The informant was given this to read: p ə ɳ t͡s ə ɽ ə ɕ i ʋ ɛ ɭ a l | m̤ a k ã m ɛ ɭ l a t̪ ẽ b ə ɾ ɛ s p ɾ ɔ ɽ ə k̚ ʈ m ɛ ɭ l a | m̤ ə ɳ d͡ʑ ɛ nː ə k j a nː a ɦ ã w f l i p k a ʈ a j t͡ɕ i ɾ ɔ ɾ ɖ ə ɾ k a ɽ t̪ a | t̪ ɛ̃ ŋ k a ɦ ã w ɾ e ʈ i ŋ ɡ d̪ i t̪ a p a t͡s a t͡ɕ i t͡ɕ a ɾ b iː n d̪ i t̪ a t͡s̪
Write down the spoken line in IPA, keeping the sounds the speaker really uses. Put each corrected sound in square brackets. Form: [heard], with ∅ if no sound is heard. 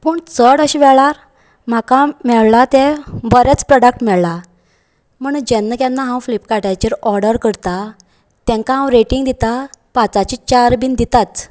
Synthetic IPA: p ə ɳ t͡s ə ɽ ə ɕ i ʋ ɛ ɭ a [ɾ] | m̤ a k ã m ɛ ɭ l a t̪ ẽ b ə ɾ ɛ [t͡s] p ɾ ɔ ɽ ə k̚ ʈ m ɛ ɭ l a | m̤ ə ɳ d͡ʑ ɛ nː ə k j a nː a ɦ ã w f l i p k a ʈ a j t͡ɕ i ɾ ɔ ɾ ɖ ə ɾ k [ə] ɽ t̪ a | t̪ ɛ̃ ŋ k a ɦ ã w ɾ e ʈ i ŋ ɡ d̪ i t̪ a p a t͡s a t͡ɕ i t͡ɕ a ɾ b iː n d̪ i t̪ a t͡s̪